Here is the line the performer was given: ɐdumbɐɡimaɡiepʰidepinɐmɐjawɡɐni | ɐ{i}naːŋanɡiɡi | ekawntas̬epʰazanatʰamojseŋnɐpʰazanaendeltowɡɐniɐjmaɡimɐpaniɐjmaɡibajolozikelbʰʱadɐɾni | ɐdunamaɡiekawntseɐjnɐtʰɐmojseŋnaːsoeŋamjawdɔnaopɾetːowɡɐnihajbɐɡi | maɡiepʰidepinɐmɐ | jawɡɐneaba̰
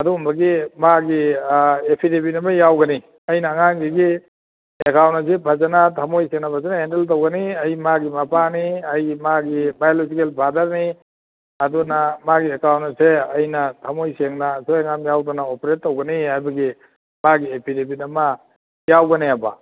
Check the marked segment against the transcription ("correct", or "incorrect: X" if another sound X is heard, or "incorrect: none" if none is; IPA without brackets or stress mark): incorrect: j